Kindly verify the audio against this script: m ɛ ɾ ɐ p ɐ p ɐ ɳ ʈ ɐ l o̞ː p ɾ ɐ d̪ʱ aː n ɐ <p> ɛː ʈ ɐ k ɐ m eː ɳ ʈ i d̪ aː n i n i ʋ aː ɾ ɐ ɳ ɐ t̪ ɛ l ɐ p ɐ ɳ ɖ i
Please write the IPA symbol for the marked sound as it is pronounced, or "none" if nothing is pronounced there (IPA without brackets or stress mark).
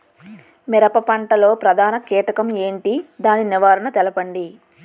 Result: k